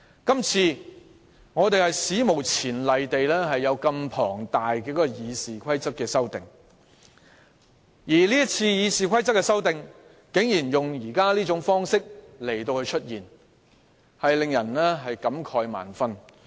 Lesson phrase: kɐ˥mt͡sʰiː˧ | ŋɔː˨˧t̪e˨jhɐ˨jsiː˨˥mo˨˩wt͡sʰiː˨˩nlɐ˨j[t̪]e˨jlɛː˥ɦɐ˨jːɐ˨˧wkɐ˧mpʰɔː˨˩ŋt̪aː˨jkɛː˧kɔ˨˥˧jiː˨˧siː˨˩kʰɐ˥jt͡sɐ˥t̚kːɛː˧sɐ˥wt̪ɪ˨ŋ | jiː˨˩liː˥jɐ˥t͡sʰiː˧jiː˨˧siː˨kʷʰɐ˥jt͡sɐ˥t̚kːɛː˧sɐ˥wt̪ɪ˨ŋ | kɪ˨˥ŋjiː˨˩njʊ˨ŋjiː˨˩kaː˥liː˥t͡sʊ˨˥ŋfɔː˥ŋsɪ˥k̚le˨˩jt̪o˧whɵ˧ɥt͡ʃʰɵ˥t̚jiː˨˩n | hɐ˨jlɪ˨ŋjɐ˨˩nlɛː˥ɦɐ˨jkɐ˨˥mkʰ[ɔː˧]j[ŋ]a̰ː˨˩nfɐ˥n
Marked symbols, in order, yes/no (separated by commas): yes, yes, no